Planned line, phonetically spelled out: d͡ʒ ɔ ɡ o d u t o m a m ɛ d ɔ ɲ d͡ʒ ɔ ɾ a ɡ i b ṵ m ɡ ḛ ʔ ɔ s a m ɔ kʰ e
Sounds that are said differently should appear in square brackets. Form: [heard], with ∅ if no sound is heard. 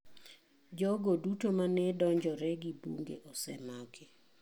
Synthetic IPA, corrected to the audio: d͡ʒ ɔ ɡ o d u t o m a [n] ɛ d ɔ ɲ d͡ʒ ɔ ɾ [ɛ] ɡ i b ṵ [ŋ] ɡ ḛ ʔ ɔ s [ɛ] m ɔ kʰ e